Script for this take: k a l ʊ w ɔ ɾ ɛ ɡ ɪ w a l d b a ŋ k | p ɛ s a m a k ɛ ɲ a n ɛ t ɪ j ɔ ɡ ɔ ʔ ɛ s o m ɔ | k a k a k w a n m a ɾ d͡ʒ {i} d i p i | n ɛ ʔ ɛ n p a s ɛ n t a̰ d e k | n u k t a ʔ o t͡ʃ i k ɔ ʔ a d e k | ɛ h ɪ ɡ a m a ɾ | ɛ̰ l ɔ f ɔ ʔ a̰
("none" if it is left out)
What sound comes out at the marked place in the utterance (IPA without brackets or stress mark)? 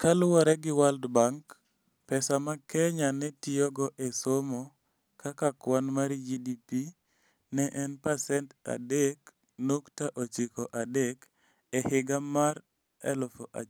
i